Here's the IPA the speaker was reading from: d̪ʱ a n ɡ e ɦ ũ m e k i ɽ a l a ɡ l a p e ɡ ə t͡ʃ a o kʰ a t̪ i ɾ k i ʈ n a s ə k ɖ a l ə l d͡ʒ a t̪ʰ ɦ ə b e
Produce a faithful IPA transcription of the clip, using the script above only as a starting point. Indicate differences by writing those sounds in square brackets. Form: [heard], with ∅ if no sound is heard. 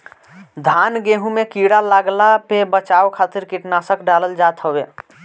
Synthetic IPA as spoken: d̪ʱ a n ɡ e ɦ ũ m e k i ɽ a l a ɡ l a p e [b] ə t͡ʃ a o kʰ a t̪ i ɾ k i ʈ n a s ə k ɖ a l ə l d͡ʒ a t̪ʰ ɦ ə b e